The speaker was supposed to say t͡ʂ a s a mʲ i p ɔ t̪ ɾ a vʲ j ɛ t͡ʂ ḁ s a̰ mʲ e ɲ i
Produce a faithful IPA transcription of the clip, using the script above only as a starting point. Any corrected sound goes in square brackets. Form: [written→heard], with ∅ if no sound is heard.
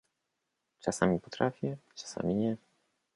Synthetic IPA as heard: t͡ʂ a s a mʲ i p ɔ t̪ ɾ a [vʲ→fʲ] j ɛ t͡ʂ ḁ s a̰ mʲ [e→i] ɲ [i→ɛ]